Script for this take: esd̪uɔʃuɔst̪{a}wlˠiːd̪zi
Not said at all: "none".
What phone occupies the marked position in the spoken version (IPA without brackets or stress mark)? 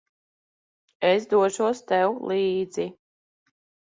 ɛ